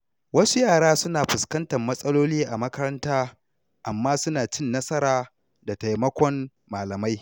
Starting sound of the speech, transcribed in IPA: w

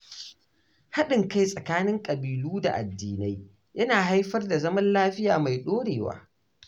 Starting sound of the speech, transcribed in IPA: h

